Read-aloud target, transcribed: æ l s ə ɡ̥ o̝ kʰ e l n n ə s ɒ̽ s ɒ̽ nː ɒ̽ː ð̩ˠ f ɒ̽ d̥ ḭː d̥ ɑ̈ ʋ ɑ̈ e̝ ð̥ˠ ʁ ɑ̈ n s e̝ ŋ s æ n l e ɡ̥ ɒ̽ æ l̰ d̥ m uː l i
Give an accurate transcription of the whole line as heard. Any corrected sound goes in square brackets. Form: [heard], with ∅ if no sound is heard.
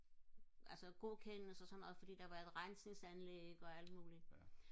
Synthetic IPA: æ l s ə ɡ̥ o̝ kʰ e [∅] n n ə s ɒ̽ s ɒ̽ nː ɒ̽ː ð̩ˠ f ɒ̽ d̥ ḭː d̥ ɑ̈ ʋ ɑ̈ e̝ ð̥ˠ ʁ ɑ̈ n s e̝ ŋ s æ n l e ɡ̥ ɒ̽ æ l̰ d̥ m uː l i